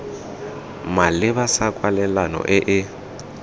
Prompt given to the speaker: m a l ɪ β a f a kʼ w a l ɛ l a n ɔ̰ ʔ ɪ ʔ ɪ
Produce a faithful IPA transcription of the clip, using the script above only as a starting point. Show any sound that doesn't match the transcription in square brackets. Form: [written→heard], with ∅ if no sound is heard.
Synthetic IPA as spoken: m a l ɪ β a [f→s] a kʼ w a l ɛ l a n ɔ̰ ʔ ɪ ʔ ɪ